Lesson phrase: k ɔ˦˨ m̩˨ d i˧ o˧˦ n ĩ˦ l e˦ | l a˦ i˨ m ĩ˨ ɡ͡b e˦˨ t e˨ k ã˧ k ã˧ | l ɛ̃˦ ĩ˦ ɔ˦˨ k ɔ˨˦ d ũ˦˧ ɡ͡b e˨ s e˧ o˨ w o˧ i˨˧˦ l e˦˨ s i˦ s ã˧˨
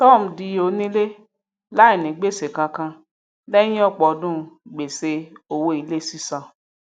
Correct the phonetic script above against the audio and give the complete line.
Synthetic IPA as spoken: t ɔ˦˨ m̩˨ d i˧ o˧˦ n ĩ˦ l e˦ | l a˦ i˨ n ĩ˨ ɡ͡b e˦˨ s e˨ k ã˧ k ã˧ | l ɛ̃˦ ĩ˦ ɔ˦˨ k͡p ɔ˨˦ d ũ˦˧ ɡ͡b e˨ s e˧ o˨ w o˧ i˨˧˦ l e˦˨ s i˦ s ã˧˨

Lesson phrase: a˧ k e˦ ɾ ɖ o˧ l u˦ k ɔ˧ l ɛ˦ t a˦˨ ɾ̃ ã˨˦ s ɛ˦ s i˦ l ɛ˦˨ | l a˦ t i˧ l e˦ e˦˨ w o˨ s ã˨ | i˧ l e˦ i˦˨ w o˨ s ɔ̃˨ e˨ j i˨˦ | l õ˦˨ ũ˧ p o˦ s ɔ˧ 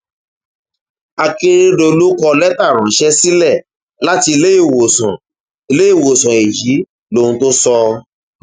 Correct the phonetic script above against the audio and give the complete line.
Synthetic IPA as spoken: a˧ k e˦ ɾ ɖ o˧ l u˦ k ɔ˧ l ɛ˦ t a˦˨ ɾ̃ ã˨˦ ʃ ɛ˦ s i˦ l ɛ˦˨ | l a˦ t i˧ l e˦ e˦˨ w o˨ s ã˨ | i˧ l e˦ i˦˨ w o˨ s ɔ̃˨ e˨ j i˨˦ | l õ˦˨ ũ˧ t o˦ s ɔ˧

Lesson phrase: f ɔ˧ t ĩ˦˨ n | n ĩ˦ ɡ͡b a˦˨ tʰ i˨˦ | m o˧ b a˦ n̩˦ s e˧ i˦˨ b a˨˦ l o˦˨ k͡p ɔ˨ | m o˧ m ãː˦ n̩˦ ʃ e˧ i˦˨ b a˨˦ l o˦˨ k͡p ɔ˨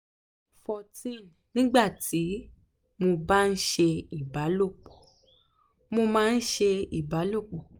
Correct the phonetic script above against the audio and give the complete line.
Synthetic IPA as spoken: f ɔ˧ t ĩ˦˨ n | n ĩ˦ ɡ͡b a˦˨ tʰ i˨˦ | m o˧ b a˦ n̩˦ ʃ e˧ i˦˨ b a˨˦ l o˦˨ k͡p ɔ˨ | m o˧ m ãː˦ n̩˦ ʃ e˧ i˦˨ b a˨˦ l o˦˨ k͡p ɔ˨

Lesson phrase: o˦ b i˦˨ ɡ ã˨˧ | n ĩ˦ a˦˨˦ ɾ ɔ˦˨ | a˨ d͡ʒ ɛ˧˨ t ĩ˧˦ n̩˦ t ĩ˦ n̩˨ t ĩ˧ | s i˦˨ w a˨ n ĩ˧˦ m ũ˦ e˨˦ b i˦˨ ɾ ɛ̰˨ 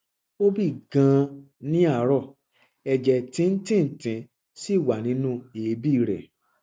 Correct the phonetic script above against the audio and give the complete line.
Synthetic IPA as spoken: o˦ b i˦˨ ɡ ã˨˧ | n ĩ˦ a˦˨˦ ɾ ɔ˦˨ | ɛ˨ d͡ʒ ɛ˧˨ t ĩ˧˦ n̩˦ t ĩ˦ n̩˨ t ĩ˧ | s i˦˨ w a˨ n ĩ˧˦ n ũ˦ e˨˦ b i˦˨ ɾ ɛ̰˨

